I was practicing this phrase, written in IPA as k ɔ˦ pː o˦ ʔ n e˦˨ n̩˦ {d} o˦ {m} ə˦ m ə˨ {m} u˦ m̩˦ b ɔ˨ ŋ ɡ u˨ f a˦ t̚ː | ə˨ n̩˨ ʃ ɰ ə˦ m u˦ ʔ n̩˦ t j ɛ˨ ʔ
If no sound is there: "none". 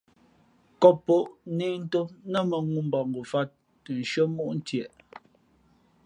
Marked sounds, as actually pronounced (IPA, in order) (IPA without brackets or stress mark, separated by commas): t, n, ŋ